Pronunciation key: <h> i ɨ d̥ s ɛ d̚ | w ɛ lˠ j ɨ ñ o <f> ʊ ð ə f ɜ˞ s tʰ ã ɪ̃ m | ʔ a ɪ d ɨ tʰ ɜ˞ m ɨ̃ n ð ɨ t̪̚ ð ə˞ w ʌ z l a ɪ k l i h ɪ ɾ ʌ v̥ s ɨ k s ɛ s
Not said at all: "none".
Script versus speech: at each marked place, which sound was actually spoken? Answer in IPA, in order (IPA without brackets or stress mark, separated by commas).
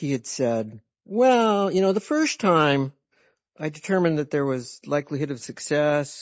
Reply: h, none